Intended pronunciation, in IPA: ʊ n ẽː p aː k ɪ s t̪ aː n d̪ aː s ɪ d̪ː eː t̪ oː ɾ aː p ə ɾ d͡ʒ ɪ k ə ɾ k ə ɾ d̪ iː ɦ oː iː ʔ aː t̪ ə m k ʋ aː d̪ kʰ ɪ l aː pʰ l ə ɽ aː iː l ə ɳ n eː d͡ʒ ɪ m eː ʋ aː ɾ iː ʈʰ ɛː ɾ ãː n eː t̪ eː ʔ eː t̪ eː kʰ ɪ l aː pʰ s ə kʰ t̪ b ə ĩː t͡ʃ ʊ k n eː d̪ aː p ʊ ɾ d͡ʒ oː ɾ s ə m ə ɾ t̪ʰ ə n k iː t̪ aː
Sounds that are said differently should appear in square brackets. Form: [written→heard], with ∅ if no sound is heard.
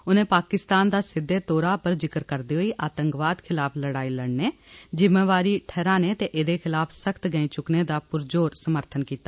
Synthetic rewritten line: ʊ n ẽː p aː k ɪ s t̪ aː n d̪ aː s ɪ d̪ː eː t̪ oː ɾ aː p ə ɾ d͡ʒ ɪ k ə ɾ k ə ɾ d̪ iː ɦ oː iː ʔ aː t̪ ə [m→ŋ] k ʋ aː d̪ kʰ ɪ l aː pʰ l ə ɽ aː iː l ə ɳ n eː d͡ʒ ɪ m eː ʋ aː ɾ iː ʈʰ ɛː ɾ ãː n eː t̪ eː ʔ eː [t̪→d̪] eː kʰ ɪ l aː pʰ s ə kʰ t̪ [b→ɡ] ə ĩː t͡ʃ ʊ k n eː d̪ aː p ʊ ɾ d͡ʒ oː ɾ s ə m ə ɾ t̪ʰ ə n k iː t̪ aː